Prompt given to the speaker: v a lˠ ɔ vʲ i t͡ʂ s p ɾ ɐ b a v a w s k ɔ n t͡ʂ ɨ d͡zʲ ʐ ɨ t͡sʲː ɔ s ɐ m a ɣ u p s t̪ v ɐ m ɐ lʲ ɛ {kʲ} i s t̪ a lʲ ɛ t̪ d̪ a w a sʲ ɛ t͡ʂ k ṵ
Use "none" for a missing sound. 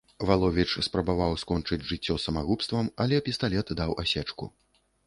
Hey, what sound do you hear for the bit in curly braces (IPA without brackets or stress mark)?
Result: pʲ